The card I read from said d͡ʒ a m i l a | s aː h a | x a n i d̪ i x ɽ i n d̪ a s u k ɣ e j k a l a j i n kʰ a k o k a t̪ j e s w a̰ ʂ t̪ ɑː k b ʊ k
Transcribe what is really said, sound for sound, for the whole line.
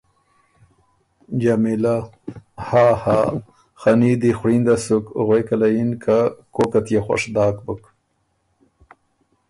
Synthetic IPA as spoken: d͡ʒ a m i l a | h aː h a | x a n i d̪ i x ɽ i n d̪ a s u k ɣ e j k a l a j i n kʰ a k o k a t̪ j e x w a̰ ʂ d̪ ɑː k b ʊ k